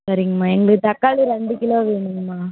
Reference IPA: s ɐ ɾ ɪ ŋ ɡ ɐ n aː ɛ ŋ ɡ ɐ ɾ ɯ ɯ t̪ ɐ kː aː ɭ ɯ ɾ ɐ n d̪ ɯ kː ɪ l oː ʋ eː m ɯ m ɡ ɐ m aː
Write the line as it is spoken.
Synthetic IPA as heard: s ɐ ɾ ɪ ŋ ɡ ɐ m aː ɛ ŋ ɡ ɐ ɭ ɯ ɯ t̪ ɐ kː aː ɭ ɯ ɾ ɐ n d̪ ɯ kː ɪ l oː ʋ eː ɳ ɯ ŋ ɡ ɐ m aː